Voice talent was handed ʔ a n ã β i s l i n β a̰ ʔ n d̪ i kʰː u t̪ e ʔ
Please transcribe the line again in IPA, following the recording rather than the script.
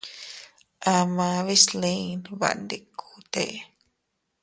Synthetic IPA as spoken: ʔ a m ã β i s l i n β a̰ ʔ n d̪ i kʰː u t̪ e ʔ